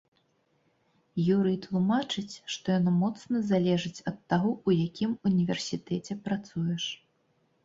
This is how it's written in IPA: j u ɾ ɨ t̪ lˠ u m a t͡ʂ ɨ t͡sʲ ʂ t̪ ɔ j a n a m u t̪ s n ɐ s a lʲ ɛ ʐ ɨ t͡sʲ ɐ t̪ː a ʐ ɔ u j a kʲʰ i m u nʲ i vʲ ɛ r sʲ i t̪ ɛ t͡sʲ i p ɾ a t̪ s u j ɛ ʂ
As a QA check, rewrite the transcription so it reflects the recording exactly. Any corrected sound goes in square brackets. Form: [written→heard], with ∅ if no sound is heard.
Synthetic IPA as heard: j u ɾ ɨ t̪ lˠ u m a t͡ʂ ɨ t͡sʲ ʂ t̪ ɔ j a n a m [u→ɔ] t̪ s n ɐ [s→z] a lʲ ɛ ʐ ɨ t͡sʲ ɐ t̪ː a [ʐ→ɣ] ɔ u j a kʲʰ i m u nʲ i vʲ ɛ r sʲ i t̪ ɛ t͡sʲ [i→ɛ] p ɾ a t̪ s u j ɛ ʂ